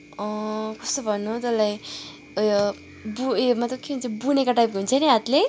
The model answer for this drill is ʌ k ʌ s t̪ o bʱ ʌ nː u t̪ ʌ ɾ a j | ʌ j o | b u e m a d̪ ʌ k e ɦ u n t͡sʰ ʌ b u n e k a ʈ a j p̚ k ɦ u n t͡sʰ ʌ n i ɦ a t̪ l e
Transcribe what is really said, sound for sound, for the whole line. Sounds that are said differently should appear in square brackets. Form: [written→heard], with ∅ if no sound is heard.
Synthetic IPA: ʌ k ʌ s t̪ o bʱ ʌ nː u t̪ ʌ [ɾ→l] a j | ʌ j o | b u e m a [d̪→t̪] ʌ k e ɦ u n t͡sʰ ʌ b u n e k a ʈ a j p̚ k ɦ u n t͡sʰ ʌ n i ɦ a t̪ l e